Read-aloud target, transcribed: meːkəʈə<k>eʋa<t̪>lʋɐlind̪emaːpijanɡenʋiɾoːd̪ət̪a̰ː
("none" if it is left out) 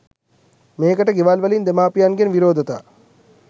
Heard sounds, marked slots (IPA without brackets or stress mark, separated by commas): ɡ, none